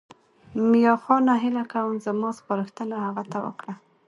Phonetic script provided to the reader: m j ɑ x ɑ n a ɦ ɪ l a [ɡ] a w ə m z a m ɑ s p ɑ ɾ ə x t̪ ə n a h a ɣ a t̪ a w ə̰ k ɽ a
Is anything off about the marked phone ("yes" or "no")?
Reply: yes